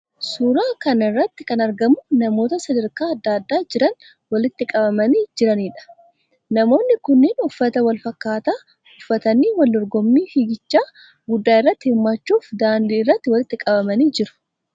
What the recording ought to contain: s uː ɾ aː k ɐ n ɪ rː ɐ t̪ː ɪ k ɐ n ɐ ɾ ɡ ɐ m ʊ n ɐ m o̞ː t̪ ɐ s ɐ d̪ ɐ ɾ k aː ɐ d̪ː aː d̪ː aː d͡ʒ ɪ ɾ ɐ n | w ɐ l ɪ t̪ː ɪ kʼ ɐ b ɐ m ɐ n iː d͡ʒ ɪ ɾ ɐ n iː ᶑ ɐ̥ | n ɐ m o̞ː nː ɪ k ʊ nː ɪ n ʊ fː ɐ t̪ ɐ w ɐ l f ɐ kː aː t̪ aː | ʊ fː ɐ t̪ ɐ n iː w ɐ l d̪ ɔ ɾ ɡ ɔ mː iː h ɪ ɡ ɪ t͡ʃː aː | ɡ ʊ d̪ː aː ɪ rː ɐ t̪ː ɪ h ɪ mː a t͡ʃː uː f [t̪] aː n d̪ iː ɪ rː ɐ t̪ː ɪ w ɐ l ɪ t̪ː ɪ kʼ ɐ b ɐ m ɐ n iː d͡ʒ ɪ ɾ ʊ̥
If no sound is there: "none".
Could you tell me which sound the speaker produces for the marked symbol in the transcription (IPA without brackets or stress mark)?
d̪